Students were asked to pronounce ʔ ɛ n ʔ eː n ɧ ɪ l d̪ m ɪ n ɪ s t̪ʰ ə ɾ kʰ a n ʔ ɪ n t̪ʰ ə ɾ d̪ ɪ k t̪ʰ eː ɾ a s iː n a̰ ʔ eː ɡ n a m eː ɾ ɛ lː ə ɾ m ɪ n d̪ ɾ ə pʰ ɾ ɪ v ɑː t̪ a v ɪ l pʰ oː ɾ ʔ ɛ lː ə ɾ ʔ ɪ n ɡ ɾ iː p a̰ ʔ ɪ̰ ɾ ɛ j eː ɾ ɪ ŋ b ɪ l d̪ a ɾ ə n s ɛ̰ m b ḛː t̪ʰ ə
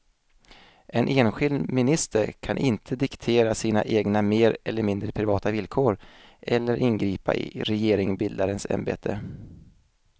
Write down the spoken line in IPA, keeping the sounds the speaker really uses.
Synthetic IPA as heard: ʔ ɛ n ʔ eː n ɧ ɪ l d̪ m ɪ n ɪ s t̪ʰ ə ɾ kʰ a n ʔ ɪ n t̪ʰ ə d̪ ɪ k t̪ʰ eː ɾ a s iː n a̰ ʔ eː ɡ n a m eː ɾ ɛ lː ə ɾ m ɪ n d̪ ɾ ə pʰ ɾ ɪ v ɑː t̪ a v ɪ l kʰ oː ɾ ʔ ɛ lː ə ɾ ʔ ɪ n ɡ ɾ iː p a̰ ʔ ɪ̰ ɾ ɛ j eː ɾ ɪ ŋ b ɪ l d̪ a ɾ ə n s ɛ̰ m b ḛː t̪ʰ ə